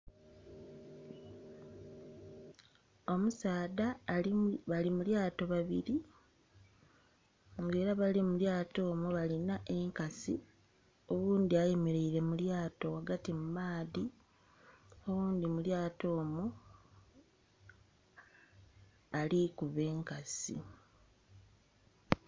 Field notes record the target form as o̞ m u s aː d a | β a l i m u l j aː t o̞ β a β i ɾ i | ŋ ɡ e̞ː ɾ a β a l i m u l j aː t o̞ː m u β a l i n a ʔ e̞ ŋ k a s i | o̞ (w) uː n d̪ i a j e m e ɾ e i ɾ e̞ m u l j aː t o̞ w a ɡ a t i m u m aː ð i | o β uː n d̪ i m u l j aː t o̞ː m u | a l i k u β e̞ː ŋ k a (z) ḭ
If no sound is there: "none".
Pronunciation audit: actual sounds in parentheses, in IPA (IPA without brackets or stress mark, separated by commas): β, s